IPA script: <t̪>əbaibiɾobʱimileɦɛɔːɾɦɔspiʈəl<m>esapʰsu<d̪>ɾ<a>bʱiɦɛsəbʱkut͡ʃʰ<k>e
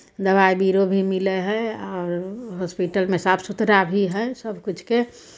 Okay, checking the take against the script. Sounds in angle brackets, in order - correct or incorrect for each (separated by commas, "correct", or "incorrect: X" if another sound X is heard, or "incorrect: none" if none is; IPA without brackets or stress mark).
incorrect: d̪, correct, incorrect: t̪, correct, correct